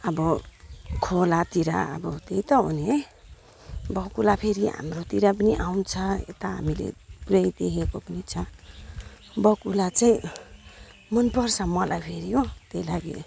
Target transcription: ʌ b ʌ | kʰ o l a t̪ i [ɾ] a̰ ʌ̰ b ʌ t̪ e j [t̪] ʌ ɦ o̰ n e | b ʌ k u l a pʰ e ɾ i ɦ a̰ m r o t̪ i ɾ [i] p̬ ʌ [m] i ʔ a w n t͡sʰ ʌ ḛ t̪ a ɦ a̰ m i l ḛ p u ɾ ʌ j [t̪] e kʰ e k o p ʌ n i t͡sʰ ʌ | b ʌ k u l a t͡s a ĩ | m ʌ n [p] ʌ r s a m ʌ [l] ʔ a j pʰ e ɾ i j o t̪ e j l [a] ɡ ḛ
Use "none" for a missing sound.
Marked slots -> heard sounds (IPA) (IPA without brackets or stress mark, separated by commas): ɾ, t̪, a, n, d̪, p, l, a